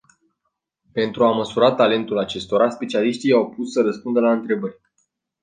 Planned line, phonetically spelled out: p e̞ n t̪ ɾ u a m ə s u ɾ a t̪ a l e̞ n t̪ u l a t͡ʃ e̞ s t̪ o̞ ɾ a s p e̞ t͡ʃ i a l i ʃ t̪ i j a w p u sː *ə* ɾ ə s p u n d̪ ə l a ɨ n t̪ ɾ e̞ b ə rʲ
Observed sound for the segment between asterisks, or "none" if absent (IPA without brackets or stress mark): ə